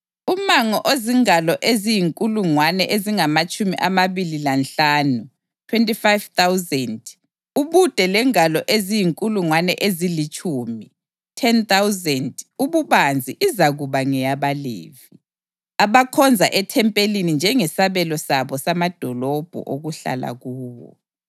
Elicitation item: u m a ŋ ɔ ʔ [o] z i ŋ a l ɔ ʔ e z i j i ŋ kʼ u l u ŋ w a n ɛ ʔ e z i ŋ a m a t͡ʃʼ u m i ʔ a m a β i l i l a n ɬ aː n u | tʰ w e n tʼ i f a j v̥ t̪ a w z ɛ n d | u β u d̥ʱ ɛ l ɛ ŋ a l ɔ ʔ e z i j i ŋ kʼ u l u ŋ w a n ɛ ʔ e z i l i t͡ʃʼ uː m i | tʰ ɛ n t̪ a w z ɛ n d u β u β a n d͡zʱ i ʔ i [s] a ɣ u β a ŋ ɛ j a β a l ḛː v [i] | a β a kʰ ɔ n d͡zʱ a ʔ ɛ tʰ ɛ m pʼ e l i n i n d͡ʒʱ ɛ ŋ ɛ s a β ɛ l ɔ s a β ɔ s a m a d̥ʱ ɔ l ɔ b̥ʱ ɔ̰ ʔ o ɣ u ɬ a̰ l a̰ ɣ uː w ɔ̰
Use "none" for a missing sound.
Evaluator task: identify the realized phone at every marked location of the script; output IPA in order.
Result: o, z, i

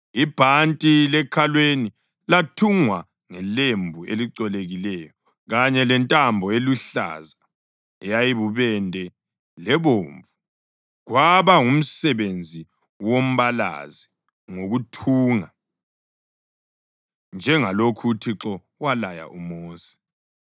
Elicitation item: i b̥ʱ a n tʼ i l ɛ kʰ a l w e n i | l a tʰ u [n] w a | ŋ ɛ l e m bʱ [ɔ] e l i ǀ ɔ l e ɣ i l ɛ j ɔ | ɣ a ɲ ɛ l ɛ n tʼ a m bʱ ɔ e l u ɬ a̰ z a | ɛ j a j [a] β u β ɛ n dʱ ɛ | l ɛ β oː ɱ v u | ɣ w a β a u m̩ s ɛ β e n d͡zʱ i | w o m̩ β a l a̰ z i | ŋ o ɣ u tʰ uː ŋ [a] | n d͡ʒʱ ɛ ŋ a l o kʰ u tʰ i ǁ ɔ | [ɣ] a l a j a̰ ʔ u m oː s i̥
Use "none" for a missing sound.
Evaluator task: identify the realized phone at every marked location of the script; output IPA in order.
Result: ŋ, u, i, a, w

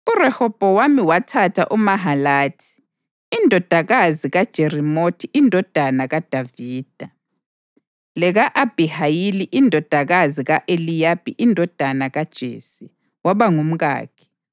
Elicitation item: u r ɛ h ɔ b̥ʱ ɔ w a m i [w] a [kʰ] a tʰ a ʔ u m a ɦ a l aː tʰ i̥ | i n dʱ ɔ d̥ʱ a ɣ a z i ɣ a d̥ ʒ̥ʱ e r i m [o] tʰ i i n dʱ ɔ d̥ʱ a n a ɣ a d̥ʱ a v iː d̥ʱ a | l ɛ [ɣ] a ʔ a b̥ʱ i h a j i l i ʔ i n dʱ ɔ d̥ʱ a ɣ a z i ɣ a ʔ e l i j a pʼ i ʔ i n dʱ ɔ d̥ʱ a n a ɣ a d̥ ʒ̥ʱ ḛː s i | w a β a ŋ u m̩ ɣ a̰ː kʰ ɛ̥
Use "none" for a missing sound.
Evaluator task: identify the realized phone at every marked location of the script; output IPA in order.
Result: w, tʰ, o, ɣ

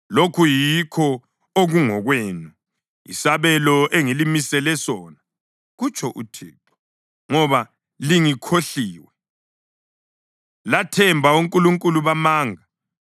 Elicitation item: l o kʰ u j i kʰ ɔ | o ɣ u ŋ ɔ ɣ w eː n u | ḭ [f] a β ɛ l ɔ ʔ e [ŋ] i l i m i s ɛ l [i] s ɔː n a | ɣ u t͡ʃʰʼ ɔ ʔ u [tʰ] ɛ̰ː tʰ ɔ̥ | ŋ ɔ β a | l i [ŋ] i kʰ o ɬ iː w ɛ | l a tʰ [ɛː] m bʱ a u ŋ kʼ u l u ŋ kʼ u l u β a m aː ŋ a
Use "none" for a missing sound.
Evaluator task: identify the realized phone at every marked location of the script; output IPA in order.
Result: s, ŋ, ɛ, tʰ, ŋ, ɛ

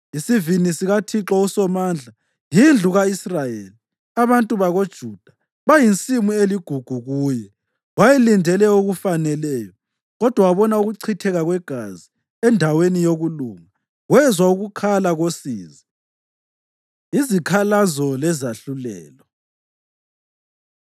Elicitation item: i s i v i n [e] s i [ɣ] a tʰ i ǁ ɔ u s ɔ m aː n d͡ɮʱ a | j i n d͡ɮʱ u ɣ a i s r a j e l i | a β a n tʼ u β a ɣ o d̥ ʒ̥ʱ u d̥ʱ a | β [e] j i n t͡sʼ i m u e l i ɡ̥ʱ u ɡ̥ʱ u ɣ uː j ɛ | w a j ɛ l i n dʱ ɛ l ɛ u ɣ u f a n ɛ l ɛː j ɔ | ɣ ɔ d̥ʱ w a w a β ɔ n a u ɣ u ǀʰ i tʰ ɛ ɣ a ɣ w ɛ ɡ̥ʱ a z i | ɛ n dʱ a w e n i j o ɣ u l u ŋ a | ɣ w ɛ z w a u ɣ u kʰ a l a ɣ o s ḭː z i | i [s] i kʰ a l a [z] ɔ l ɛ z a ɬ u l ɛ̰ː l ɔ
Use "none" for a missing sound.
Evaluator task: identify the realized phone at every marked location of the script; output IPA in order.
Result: i, ɣ, a, z, z

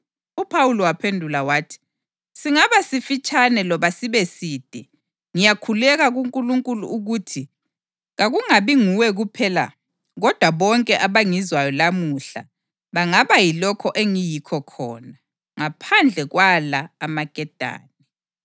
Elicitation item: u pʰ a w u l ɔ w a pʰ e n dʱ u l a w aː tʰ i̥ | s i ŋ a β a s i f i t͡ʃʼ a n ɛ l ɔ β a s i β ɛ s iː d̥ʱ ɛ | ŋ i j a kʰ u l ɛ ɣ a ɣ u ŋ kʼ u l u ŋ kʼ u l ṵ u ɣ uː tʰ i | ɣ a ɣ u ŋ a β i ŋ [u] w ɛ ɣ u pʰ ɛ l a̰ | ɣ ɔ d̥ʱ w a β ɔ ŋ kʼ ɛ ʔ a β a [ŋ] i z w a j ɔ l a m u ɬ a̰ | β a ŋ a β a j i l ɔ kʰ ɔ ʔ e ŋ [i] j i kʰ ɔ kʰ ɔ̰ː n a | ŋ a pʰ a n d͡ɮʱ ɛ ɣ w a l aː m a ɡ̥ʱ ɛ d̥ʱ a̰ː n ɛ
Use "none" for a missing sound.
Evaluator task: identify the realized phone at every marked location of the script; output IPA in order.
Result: u, ŋ, i

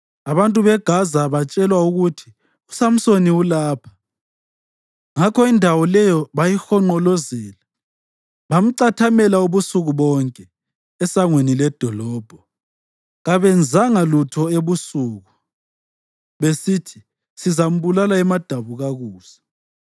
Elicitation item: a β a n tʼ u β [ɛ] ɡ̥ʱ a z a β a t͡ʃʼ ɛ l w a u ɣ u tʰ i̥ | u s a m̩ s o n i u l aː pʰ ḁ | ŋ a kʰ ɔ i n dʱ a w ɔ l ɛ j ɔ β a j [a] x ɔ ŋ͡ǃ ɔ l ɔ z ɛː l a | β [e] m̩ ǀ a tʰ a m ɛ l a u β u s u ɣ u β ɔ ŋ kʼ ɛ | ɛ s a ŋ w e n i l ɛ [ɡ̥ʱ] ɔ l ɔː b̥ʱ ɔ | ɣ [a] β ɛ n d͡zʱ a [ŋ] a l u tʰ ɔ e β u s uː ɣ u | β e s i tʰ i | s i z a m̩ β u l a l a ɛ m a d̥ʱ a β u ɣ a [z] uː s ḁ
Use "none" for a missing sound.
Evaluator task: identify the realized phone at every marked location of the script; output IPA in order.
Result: ɛ, i, a, d̥ʱ, a, ŋ, ɣ

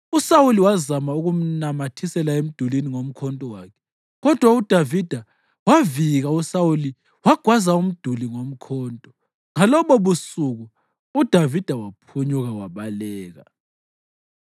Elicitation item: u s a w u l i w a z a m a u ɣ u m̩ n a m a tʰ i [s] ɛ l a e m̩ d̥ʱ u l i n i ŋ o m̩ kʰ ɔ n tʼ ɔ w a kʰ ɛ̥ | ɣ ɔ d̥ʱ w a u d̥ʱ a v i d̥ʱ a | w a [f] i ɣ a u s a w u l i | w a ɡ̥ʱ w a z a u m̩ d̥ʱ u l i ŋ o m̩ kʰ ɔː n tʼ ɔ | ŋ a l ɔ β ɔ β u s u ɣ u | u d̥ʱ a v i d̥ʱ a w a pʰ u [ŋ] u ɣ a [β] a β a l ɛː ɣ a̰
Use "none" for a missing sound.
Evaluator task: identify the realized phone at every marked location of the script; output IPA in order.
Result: s, v, ɲ, w

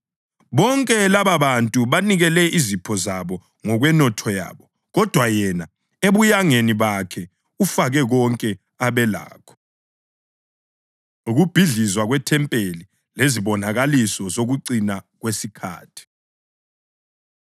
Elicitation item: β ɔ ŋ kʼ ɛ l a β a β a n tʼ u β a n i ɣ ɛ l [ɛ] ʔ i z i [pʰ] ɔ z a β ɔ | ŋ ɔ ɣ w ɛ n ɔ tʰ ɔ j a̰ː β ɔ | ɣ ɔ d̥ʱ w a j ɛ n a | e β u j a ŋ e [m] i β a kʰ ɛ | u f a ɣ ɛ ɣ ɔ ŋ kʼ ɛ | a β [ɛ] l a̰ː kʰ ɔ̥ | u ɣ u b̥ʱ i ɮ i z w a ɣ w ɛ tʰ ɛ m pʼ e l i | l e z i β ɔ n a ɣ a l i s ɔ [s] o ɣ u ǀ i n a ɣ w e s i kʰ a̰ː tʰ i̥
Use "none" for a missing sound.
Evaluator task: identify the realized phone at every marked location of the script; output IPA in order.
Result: ɛ, pʰ, n, ɛ, z

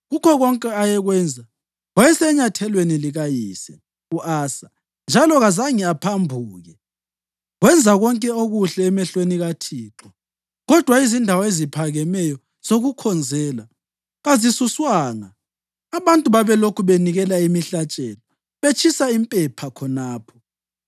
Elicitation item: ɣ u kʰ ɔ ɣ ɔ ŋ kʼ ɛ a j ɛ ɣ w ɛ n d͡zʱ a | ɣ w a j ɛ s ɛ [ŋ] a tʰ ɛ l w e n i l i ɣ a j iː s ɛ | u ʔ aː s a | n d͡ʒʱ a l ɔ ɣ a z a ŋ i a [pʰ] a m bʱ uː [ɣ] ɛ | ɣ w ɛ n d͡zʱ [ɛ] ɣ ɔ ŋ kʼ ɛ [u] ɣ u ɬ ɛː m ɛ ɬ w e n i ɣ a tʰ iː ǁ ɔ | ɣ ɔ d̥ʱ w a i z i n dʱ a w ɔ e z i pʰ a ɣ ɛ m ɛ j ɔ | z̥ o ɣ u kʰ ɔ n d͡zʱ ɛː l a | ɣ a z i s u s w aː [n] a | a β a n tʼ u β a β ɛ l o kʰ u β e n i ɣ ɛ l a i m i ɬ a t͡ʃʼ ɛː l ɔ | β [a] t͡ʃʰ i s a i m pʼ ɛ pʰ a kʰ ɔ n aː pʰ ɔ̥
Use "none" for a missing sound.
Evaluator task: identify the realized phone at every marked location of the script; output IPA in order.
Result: ɲ, pʰ, ɣ, a, o, ŋ, e

